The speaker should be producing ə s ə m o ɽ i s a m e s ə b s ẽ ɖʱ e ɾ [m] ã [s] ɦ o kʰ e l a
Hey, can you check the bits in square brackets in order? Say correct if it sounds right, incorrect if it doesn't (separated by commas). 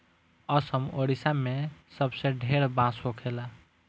incorrect, correct